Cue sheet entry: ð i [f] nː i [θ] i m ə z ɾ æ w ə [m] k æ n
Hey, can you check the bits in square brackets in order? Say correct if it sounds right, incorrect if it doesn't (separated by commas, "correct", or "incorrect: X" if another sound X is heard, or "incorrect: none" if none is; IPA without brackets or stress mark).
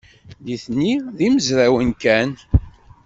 incorrect: θ, incorrect: ð, incorrect: n